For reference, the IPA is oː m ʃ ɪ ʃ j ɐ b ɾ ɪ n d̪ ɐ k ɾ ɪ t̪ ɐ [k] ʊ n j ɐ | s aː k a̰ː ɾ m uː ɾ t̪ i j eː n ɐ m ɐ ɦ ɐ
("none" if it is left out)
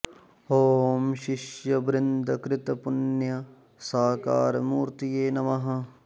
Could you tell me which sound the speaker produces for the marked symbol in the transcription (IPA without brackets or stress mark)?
p